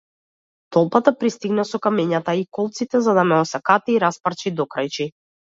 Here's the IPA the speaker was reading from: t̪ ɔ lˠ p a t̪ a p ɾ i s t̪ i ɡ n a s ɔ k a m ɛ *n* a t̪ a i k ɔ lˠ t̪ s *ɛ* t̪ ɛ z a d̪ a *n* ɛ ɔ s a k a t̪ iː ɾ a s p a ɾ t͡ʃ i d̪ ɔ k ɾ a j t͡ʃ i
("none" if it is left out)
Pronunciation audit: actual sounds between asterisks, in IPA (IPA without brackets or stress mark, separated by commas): ɲ, i, m